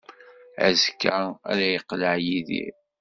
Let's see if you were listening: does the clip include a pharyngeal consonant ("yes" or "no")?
yes